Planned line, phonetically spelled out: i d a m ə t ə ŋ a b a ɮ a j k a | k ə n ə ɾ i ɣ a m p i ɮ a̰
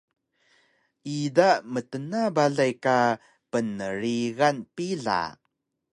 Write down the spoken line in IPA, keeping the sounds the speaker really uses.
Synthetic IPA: i d a m ə t ə n a b a ɮ a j k a | p ə n ə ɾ i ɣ a n p i ɮ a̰